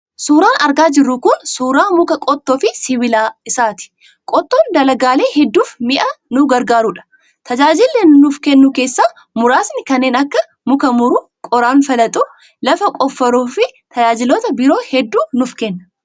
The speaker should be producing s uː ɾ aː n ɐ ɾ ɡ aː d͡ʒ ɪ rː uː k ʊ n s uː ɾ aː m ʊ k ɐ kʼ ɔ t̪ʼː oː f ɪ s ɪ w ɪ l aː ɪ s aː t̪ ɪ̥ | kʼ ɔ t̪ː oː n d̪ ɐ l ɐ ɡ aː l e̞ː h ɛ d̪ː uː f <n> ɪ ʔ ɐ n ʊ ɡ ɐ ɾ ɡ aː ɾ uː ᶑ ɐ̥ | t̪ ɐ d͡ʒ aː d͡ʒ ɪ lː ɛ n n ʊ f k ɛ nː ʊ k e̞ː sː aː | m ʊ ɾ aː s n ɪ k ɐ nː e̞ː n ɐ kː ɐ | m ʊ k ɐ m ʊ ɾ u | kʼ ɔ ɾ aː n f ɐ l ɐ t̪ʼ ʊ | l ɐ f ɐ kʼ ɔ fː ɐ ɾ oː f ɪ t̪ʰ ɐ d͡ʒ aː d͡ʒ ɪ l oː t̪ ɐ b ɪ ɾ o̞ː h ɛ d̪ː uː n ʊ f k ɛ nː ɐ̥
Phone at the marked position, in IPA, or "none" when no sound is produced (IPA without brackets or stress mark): m